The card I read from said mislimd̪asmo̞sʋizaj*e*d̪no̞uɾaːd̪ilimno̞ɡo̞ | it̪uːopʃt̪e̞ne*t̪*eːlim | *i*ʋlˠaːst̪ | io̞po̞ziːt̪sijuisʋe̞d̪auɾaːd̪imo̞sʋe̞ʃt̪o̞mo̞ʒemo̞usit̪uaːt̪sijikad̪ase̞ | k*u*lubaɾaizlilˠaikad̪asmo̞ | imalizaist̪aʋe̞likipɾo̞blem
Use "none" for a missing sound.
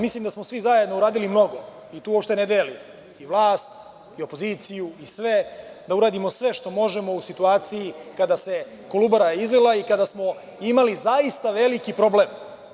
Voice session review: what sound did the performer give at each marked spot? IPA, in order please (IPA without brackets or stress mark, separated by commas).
e, d̪, i, o